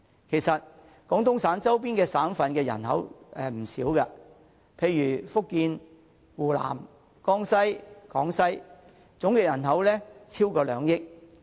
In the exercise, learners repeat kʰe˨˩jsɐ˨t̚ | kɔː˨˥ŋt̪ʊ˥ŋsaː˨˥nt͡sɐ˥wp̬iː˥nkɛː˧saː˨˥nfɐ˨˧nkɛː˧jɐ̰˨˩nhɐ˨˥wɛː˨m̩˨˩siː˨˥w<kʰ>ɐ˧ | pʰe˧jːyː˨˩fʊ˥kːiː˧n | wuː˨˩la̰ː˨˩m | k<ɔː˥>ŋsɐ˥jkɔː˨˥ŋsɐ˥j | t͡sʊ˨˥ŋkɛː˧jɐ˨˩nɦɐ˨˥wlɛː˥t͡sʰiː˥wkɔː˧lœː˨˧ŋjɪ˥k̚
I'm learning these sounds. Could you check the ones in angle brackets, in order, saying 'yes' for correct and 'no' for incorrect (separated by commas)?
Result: no, yes